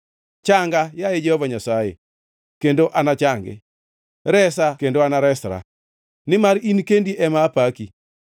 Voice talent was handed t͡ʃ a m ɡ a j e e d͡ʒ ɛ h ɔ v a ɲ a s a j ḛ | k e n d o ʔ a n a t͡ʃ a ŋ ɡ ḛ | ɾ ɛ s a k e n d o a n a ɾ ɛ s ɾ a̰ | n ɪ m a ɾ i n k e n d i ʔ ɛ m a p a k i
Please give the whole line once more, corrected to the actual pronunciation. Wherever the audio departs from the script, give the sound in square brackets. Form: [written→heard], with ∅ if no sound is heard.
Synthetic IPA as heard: t͡ʃ a [m→ŋ] ɡ a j [e→a] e d͡ʒ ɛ h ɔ v a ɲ a s a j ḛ | k e n d o ʔ a n a t͡ʃ a ŋ ɡ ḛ | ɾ ɛ s a k e n d o a n a ɾ ɛ s ɾ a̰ | n ɪ m a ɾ i n k e n d i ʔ ɛ m a p a k i